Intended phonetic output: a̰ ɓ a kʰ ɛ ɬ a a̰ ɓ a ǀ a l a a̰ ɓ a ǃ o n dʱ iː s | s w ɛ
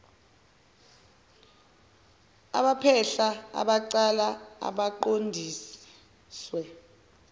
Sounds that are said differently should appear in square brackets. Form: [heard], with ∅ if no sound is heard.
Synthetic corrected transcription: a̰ ɓ a [pʰ] ɛ ɬ a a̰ ɓ a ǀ a l a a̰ ɓ a ǃ o n dʱ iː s | s w ɛ